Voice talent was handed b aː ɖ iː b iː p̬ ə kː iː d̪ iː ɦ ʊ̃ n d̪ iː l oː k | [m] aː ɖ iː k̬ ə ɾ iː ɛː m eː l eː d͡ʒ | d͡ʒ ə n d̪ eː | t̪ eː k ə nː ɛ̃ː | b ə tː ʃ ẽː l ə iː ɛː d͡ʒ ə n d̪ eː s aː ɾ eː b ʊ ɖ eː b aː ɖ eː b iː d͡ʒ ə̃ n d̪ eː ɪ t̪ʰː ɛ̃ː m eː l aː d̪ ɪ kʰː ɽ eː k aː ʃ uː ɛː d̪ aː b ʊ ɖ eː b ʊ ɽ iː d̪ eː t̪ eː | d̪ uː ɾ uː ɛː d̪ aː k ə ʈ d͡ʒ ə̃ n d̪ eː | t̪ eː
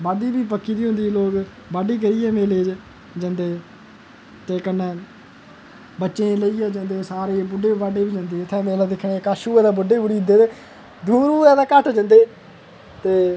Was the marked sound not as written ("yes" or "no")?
yes